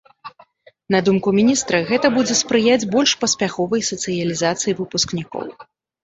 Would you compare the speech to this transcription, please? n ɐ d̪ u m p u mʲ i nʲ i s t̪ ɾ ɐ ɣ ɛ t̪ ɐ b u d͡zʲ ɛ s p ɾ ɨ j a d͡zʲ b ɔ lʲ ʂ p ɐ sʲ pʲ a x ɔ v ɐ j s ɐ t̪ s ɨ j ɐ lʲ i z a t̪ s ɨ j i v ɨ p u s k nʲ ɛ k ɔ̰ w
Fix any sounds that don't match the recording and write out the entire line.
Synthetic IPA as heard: n ɐ d̪ u m k u mʲ i nʲ i s t̪ ɾ ɐ ɣ ɛ t̪ ɐ b u d͡zʲ ɛ s p ɾ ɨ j a d͡zʲ b ɔ lʲ ʂ p ɐ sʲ pʲ a x ɔ v ɐ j s ɐ t̪ s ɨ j ɐ lʲ i z a t̪ s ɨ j i v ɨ p u s k nʲ i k ɔ̰ w

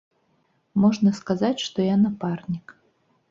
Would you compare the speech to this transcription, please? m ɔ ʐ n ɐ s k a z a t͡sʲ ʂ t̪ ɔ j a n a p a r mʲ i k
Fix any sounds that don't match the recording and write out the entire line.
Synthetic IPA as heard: m ɔ ʐ n ɐ s k a z a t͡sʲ ʂ t̪ ɔ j a n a p a r nʲ i k

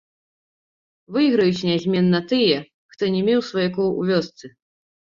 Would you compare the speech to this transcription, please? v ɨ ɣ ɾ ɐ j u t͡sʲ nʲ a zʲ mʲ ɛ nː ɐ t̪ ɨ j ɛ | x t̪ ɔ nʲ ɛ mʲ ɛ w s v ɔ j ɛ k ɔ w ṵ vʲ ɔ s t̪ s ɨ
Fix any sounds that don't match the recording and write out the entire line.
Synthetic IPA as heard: v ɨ ɣ ɾ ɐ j u t͡sʲ nʲ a zʲ mʲ ɛ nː ɐ t̪ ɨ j ɛ | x t̪ ɔ nʲ ɛ mʲ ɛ w s v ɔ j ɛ k ɔ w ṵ vʲ ɔ s t̪ s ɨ

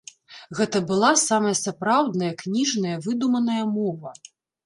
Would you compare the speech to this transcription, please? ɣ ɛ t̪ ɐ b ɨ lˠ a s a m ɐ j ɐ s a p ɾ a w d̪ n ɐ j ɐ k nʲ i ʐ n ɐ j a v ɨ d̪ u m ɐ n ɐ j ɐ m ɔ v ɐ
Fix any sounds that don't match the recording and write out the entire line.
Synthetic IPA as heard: ɣ ɛ t̪ ɐ b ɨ lˠ a s a m ɐ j ɐ s a p ɾ a w d̪ n ɐ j ɐ k nʲ i ʐ n ɐ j ɐ v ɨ d̪ u m ɐ n ɐ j ɐ m ɔ v ɐ

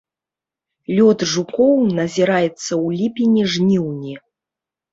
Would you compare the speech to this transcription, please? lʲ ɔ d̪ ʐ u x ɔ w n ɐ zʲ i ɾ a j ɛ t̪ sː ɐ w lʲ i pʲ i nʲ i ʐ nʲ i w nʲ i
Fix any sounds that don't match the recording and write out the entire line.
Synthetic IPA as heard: lʲ ɔ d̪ ʐ u k ɔ w n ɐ zʲ i ɾ a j ɛ t̪ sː ɐ w lʲ i pʲ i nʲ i ʐ nʲ i w nʲ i

